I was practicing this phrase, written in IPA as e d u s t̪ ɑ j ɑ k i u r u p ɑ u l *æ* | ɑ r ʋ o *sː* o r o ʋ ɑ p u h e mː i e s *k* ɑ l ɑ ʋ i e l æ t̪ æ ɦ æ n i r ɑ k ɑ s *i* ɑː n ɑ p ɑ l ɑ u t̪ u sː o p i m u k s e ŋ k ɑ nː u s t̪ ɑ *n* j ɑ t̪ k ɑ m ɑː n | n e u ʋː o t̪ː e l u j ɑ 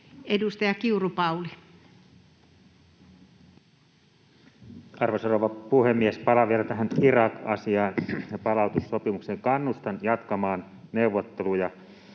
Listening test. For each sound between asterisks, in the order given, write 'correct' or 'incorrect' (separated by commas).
incorrect, incorrect, incorrect, correct, correct